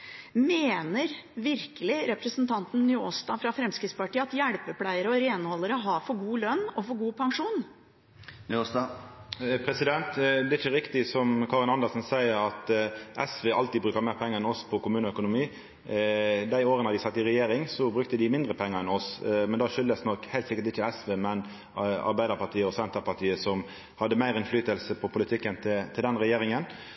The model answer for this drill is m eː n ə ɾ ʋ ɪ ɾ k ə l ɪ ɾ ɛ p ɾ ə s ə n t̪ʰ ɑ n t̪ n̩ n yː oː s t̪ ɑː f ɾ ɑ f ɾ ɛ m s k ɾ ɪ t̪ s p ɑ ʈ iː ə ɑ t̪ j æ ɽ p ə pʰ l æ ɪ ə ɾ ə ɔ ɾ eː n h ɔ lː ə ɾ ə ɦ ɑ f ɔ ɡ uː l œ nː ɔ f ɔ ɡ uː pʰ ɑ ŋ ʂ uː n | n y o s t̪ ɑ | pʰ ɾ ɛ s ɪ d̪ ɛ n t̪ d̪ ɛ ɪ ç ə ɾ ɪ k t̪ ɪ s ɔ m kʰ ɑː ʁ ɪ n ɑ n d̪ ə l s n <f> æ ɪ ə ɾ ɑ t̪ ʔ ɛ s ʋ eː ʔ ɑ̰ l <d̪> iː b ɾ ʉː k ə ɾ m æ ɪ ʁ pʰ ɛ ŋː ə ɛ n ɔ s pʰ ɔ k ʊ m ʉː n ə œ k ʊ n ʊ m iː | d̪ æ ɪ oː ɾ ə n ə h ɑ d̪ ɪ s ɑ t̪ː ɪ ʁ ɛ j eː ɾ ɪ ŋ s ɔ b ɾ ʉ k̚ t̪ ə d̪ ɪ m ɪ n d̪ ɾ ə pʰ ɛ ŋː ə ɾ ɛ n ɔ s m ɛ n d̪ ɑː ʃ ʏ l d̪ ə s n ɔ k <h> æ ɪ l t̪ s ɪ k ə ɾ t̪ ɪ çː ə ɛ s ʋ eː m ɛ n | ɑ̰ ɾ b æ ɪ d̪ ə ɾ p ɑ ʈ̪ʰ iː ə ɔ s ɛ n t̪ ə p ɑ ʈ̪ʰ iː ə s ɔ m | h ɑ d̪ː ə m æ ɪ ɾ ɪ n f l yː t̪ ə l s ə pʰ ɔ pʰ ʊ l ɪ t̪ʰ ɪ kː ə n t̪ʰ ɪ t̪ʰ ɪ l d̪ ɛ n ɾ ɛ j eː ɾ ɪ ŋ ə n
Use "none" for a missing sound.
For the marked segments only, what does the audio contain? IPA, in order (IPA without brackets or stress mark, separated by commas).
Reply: s, t̪, h